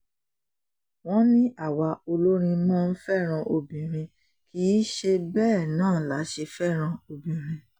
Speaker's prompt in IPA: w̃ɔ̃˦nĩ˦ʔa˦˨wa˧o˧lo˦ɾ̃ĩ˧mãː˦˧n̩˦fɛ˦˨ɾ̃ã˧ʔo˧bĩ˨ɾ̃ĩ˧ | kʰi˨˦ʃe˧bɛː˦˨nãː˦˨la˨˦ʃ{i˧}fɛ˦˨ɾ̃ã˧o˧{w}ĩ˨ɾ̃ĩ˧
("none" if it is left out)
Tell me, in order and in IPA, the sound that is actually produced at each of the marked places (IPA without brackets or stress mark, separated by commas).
e˧, b